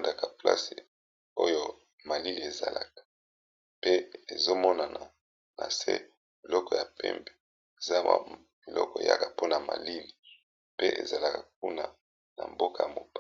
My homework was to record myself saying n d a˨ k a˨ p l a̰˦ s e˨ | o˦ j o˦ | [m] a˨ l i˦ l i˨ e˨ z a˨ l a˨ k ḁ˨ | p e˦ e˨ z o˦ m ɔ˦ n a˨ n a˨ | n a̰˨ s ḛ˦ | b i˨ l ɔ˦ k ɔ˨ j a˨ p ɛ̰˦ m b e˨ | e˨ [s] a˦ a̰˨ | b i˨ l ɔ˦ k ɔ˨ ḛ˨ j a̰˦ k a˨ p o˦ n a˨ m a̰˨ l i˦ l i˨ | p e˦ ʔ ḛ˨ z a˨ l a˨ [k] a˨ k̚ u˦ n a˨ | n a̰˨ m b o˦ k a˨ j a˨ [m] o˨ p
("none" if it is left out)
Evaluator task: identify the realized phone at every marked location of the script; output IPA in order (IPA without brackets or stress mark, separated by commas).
m, z, k, m